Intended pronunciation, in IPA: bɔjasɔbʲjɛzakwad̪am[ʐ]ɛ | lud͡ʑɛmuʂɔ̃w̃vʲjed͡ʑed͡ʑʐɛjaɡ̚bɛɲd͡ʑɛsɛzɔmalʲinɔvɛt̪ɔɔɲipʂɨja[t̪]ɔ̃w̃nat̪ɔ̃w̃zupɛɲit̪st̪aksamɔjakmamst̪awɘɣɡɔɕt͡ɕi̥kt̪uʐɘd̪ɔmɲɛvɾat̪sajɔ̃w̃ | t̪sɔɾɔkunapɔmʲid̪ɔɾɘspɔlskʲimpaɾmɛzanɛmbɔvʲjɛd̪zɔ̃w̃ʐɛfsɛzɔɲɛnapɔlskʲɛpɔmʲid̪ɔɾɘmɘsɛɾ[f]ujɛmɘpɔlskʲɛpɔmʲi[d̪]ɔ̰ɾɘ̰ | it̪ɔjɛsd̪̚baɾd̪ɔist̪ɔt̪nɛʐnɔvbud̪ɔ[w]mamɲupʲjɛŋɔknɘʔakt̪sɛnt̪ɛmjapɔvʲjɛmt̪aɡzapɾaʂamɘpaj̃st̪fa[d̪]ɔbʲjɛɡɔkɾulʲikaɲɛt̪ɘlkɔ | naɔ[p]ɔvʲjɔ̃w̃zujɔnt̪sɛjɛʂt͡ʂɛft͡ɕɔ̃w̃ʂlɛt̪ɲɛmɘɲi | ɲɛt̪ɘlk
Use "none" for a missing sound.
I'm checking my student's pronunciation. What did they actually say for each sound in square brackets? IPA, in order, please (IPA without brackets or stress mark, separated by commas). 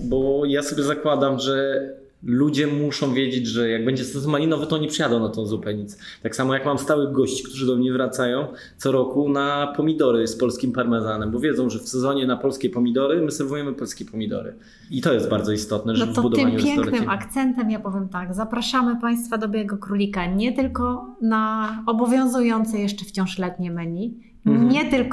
ʐ, d̪, v, d̪, v, d̪, b